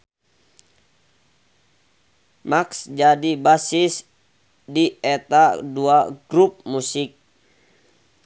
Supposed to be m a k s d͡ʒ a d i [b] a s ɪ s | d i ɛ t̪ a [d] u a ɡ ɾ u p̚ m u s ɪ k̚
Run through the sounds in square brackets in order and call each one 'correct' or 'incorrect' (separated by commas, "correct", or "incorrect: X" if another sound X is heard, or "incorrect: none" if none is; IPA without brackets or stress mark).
correct, correct